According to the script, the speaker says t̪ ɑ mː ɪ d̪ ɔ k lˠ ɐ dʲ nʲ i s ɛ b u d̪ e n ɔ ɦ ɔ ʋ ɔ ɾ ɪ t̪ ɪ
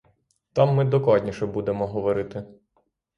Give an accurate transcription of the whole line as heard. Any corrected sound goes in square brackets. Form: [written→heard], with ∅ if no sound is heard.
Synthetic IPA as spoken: t̪ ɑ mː ɪ d̪ ɔ k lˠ [ɐ→ɑ] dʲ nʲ i [s→ʃ] ɛ b u d̪ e [n→m] ɔ ɦ ɔ ʋ ɔ ɾ ɪ t̪ ɪ